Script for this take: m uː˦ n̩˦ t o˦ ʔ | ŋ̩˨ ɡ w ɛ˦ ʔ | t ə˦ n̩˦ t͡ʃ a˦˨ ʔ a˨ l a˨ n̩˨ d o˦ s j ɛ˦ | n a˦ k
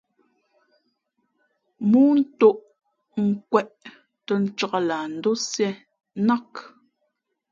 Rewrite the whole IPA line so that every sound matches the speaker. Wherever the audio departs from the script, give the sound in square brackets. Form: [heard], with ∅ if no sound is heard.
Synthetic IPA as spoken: m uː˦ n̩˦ t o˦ ʔ | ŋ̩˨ [k] w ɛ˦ ʔ | t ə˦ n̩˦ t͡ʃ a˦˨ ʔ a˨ l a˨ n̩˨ d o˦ s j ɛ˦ | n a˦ k